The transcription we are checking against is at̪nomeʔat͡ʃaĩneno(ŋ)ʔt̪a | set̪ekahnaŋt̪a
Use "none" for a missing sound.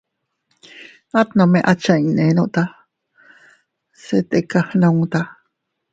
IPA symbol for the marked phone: none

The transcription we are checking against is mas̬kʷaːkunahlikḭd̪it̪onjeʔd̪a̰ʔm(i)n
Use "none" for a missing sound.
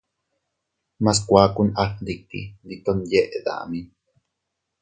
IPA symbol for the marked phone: i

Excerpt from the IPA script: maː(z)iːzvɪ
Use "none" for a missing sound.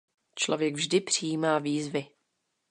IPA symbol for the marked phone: v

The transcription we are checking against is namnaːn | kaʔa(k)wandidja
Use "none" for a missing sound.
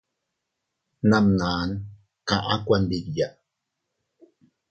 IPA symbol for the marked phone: k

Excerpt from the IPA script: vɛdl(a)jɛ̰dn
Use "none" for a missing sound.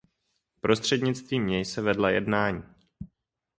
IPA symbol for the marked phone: a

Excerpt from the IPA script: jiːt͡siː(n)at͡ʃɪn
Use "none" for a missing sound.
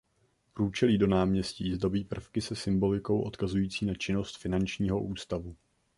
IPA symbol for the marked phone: n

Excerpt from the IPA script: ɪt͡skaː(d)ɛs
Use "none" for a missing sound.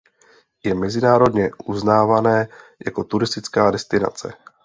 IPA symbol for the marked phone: d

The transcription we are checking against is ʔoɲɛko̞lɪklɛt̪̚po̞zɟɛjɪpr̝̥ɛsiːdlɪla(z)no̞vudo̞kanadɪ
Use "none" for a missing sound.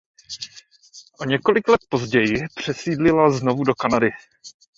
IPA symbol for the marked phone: z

